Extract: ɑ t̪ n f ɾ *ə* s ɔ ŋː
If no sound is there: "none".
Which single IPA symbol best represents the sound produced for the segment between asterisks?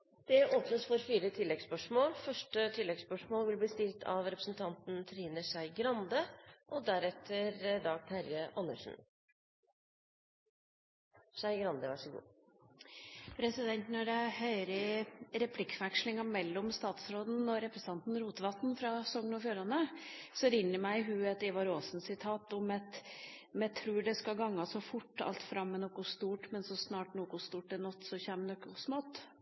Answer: ɑ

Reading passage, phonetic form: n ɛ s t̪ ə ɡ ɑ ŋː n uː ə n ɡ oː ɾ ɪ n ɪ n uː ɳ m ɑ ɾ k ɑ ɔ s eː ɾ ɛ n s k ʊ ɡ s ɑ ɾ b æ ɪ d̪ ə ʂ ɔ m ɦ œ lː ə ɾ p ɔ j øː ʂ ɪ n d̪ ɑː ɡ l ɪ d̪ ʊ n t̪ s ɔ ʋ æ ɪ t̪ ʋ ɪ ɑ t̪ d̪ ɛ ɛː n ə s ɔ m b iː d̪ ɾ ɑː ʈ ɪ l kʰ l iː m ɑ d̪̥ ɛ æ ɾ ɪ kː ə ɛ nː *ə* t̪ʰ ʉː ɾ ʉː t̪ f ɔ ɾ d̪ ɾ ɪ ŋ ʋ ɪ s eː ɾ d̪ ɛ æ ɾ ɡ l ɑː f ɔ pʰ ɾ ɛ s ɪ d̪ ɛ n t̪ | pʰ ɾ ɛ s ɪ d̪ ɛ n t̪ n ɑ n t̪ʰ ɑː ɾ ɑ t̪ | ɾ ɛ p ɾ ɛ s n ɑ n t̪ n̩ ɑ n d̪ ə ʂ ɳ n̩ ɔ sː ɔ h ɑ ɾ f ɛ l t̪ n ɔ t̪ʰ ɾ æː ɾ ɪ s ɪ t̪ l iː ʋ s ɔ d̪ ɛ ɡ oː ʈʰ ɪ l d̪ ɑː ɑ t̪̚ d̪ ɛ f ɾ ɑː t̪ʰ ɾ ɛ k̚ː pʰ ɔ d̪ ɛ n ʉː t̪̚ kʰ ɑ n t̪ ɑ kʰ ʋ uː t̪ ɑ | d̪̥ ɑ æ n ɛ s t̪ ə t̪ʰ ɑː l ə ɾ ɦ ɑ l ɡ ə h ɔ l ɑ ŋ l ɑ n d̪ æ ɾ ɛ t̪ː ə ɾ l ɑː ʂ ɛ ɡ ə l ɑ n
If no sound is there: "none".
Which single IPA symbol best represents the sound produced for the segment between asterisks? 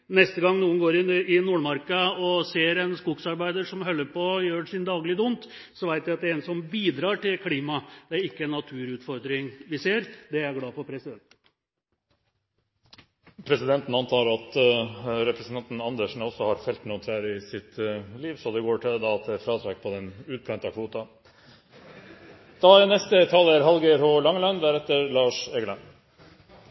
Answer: ɑ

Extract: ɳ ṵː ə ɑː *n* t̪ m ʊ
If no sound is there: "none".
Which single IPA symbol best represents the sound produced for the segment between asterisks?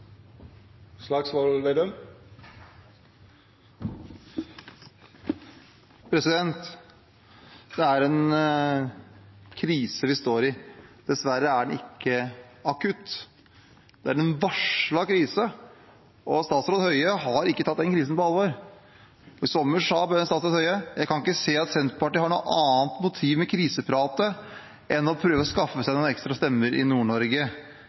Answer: n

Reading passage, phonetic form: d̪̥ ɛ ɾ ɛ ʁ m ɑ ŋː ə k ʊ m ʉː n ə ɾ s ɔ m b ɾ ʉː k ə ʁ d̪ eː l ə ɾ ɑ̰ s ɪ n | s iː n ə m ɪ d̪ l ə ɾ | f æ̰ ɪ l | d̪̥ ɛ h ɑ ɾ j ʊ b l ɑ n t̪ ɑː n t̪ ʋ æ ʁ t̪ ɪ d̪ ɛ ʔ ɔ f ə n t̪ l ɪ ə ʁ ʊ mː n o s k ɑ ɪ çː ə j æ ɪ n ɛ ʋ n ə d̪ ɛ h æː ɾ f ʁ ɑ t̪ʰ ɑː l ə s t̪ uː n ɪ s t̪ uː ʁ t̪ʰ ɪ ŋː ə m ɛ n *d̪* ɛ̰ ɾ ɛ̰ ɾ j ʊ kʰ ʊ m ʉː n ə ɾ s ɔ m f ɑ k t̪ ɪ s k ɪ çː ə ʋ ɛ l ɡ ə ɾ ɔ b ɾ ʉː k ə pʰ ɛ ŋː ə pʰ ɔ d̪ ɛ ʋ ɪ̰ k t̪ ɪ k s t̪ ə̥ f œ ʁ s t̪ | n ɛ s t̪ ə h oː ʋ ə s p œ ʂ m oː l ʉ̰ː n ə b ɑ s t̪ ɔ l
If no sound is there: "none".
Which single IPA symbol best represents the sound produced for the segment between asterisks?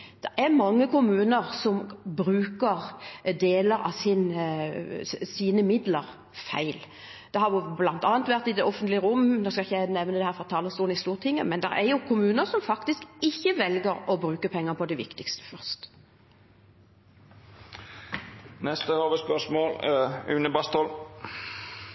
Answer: d̪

